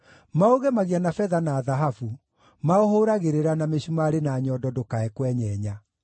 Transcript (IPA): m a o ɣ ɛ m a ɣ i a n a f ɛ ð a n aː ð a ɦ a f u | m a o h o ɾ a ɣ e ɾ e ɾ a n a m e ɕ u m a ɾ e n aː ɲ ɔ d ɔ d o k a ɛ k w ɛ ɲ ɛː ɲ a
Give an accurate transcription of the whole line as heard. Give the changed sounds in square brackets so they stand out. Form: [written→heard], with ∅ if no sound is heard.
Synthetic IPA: m a o ɣ ɛ m a ɣ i a n a f ɛ ð a n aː ð a ɦ a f u | m a o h o ɾ a ɣ e ɾ e ɾ a n a m e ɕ u m a ɾ e n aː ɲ ɔ d ɔ d o k a ɛ k w ɛ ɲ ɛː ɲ a